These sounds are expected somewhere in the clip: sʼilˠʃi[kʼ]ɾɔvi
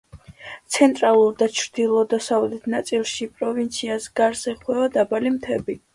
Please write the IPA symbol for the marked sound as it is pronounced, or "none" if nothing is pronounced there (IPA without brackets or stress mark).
pʼ